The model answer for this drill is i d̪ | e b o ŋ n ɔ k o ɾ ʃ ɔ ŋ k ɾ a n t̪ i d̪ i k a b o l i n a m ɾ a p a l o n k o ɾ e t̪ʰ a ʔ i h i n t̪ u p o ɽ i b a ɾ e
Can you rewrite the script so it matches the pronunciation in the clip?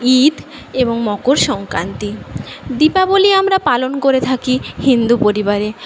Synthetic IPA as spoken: i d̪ | e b o ŋ m ɔ k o ɾ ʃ ɔ ŋ k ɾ a n t̪ i d̪ i p a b o l i a m ɾ a p a l o n k o ɾ e t̪ʰ a k i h i n d̪ u p o ɾ i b a ɾ e